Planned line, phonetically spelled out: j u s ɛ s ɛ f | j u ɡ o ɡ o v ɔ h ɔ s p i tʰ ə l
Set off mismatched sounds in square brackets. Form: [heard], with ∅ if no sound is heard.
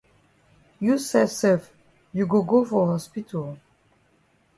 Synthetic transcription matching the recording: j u s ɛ s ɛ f | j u ɡ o ɡ o [f] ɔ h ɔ s p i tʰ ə l